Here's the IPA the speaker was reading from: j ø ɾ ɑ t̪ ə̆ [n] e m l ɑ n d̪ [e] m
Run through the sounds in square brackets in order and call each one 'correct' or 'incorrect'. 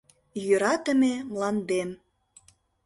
incorrect: m, correct

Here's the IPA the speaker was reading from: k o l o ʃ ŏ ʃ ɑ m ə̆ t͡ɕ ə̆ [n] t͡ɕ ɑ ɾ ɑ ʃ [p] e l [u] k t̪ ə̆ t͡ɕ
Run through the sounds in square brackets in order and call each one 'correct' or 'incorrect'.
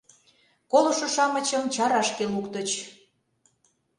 incorrect: m, incorrect: k, correct

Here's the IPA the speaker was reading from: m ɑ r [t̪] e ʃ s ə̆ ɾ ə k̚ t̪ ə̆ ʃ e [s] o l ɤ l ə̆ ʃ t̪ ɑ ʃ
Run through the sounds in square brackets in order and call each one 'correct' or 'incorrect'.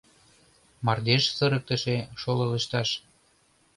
incorrect: d̪, incorrect: ʃ

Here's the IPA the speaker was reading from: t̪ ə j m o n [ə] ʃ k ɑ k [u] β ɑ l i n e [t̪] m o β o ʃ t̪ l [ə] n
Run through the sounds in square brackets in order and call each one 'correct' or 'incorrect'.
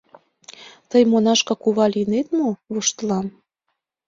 incorrect: ɑ, correct, correct, incorrect: ɑ

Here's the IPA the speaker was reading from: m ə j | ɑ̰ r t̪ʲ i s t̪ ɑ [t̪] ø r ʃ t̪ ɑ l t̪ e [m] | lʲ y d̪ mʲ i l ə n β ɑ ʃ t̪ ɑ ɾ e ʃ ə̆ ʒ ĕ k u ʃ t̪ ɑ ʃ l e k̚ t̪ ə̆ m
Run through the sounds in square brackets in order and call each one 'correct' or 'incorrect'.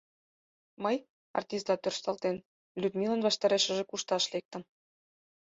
correct, incorrect: n

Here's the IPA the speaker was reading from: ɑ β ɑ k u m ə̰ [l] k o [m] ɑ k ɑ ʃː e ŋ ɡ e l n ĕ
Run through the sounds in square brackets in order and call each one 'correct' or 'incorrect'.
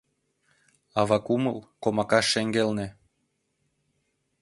correct, correct

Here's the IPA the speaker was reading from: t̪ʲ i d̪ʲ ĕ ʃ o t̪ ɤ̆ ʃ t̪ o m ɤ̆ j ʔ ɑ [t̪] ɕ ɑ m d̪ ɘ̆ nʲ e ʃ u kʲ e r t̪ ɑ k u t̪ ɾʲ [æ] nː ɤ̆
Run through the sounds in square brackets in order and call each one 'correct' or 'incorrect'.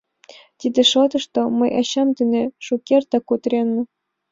incorrect: none, incorrect: e

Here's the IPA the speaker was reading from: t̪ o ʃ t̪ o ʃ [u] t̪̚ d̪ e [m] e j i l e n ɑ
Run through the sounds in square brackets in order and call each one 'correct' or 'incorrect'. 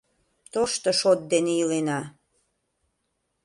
incorrect: o, incorrect: n

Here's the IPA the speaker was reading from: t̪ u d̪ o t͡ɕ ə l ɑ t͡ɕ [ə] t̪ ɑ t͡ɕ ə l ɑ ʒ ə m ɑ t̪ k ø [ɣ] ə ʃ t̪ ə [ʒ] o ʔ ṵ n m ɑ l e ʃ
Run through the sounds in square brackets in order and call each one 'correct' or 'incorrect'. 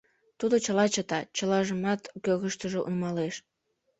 correct, correct, correct

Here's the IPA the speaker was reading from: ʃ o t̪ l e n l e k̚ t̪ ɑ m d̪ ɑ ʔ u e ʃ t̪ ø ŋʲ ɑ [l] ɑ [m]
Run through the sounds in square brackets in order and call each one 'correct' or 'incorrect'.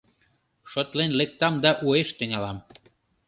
correct, correct

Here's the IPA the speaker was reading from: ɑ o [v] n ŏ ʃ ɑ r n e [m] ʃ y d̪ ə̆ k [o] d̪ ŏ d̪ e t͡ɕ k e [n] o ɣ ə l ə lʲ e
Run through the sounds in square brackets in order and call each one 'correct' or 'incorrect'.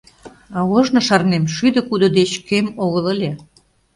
incorrect: ʒ, correct, incorrect: u, incorrect: m

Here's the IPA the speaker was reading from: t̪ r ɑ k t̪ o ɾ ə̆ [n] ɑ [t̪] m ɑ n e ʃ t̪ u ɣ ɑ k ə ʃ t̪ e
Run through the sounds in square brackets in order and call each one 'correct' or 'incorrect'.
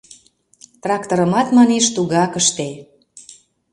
incorrect: m, correct

